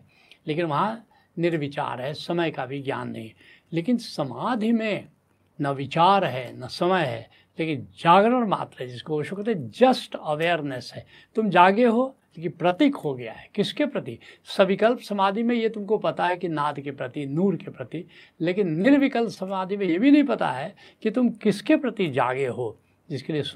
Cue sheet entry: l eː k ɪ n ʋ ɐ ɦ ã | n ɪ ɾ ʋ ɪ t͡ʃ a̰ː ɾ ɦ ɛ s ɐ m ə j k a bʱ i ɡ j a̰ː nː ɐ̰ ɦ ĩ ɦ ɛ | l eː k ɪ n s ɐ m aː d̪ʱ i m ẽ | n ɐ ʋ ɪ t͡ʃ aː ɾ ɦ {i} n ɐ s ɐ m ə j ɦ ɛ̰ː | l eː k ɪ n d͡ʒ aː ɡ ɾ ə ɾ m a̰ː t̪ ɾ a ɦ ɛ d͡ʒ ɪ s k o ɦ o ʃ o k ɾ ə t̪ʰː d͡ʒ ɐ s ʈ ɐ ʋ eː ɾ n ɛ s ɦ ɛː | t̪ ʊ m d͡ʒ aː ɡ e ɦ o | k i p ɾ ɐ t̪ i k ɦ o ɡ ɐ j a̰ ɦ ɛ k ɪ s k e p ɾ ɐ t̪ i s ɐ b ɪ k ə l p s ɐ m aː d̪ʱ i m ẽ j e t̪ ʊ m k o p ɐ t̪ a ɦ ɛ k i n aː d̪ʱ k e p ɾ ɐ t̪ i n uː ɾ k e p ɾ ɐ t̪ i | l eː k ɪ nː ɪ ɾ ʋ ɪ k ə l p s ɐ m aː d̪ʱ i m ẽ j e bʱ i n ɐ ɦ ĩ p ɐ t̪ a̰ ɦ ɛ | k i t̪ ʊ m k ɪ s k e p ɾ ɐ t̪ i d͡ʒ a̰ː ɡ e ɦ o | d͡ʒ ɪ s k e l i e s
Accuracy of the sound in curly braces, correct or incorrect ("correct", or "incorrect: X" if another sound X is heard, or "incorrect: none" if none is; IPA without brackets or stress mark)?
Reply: incorrect: ɛ